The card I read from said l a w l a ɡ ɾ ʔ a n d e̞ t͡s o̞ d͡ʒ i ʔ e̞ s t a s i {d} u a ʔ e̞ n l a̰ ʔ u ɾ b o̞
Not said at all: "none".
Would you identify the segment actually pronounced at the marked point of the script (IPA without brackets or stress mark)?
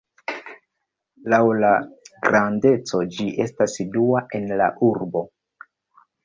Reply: d